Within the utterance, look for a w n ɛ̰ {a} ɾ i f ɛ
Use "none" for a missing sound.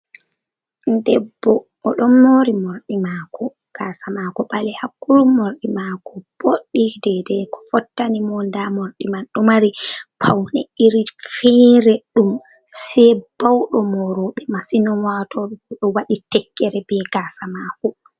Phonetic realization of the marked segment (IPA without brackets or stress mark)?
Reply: i